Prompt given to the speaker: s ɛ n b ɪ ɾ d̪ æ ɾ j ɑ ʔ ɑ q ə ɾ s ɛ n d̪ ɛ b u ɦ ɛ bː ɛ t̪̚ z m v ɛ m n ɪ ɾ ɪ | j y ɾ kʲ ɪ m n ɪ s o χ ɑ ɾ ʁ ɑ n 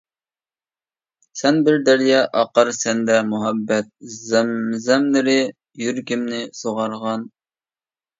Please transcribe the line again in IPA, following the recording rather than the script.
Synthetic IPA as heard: s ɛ n b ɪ ɾ d̪ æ ɾ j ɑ ʔ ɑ q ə ɾ s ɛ n d̪ ɛ m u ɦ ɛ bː ɛ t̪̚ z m z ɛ m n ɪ ɾ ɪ | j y ɾ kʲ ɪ m n ɪ s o ʁ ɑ ɾ ʁ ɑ n

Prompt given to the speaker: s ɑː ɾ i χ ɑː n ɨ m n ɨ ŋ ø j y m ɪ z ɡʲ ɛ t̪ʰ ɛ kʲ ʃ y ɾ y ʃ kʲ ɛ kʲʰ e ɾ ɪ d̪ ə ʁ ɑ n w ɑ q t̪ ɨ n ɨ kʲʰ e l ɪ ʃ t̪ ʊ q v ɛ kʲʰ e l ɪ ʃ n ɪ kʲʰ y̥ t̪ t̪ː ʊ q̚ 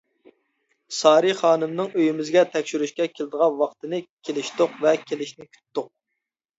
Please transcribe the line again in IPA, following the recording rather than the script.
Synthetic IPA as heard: s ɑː ɾ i χ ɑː n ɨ m n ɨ ŋ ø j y m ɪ z ɡʲ ɛ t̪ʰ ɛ kʲ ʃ y ɾ y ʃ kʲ ɛ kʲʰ e l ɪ d̪ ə ʁ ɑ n w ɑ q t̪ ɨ n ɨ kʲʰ e l ɪ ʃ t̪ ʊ q v ɛ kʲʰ e l ɪ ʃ n ɪ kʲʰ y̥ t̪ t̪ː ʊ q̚

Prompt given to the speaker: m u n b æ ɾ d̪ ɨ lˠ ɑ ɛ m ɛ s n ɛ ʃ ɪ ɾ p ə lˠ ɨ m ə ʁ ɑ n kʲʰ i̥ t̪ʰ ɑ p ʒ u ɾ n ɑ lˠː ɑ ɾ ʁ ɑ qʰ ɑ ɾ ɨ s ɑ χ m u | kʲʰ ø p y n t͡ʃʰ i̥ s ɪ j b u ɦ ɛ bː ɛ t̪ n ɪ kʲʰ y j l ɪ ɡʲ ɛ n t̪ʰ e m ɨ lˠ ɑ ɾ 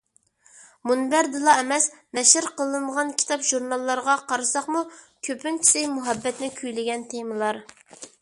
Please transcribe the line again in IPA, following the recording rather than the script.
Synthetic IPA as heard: m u n b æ ɾ d̪ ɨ lˠ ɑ ɛ m ɛ s n ɛ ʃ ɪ ɾ q ə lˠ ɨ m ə ʁ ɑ n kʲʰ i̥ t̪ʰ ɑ p ʒ u ɾ n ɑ lˠː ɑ ɾ ʁ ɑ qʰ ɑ ɾ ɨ s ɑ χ m u | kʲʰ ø p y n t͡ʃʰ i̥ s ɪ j m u ɦ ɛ bː ɛ t̪ n ɪ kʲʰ y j l ɪ ɡʲ ɛ n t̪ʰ e m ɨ lˠ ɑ ɾ

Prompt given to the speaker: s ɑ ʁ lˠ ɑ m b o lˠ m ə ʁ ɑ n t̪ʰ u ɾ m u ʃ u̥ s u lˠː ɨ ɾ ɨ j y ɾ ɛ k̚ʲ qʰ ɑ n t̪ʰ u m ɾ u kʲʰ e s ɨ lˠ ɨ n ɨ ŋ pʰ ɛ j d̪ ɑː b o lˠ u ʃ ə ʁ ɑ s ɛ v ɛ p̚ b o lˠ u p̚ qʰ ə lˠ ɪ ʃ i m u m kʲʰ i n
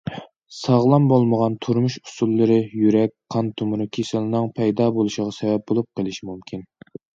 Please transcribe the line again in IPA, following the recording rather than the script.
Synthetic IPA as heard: s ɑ ʁ lˠ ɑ m b o lˠ m ə ʁ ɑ n t̪ʰ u ɾ m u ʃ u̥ s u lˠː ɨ ɾ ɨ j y ɾ ɛ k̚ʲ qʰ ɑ n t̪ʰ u m ɾ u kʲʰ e s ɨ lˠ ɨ n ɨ ŋ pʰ ɛ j d̪ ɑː b o lˠ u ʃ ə ʁ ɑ s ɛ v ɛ p̚ b o lˠ u p̚ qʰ ə lˠ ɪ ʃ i m u m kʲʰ i n

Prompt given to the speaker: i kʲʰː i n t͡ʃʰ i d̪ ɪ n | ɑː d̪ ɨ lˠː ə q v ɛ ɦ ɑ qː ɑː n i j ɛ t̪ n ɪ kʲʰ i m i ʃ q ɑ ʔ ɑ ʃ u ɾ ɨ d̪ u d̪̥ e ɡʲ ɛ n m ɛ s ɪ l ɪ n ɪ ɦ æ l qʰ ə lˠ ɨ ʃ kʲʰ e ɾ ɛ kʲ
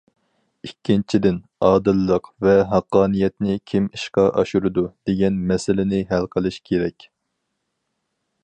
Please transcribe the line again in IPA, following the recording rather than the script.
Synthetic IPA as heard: i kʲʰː i n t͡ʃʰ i d̪ ɪ n | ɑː d̪ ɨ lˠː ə q v ɛ ɦ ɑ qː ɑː n i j ɛ t̪ n ɪ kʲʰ i m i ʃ q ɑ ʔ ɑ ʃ u ɾ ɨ d̪ u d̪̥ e ɡʲ ɛ n m ɛ s ɪ l ɪ n ɪ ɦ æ l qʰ ə lˠ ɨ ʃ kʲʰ e ɾ ɛ kʲ

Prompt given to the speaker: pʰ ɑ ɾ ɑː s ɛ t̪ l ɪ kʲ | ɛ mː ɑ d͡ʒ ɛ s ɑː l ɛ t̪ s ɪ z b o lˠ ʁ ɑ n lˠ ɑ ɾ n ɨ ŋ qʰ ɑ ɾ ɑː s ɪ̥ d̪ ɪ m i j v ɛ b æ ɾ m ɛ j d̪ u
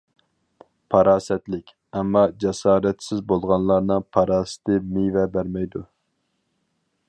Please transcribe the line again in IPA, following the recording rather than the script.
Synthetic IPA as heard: pʰ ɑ ɾ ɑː s ɛ t̪ l ɪ kʲ | ɛ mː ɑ d͡ʒ ɛ s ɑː ɾ ɛ t̪ s ɪ z b o lˠ ʁ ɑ n lˠ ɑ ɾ n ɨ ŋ pʰ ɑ ɾ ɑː s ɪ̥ t̪ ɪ m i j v ɛ b æ ɾ m ɛ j d̪ u

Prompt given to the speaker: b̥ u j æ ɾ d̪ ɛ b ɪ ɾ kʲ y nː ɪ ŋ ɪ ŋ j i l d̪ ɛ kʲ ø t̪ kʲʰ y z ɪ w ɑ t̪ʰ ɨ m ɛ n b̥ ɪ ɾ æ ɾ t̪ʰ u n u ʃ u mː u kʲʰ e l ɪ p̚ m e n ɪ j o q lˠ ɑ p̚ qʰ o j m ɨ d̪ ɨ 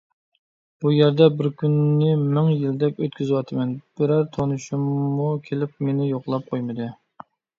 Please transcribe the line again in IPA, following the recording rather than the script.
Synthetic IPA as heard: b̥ u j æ ɾ d̪ ɛ b ɪ ɾ kʲ y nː ɪ m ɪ ŋ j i l d̪ ɛ kʲ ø t̪ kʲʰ y z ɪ w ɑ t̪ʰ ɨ m ɛ n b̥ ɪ ɾ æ ɾ t̪ʰ o n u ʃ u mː u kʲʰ e l ɪ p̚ m e n ɪ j o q lˠ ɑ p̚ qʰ o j m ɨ d̪ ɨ

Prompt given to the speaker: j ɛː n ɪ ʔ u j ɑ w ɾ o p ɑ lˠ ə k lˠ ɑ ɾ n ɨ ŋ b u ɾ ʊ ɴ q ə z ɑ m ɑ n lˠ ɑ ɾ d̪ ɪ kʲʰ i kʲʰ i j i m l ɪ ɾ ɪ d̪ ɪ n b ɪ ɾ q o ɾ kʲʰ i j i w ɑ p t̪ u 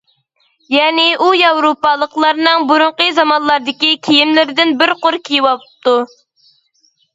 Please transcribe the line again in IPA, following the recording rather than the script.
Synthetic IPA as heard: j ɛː n ɪ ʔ u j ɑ w ɾ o p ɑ lˠ ə q lˠ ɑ ɾ n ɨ ŋ b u ɾ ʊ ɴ q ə z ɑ m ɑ n lˠ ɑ ɾ d̪ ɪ kʲ i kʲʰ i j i m l ɪ ɾ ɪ d̪ ɪ n b ɪ ɾ q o ɾ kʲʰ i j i w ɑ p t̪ u

